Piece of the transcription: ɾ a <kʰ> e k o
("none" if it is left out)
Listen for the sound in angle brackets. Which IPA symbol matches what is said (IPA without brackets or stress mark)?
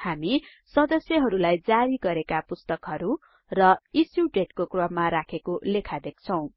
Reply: kʰ